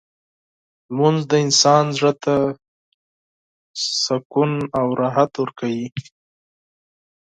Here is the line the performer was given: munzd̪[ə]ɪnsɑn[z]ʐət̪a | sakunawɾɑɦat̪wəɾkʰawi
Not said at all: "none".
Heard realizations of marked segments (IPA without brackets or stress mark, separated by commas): ə, z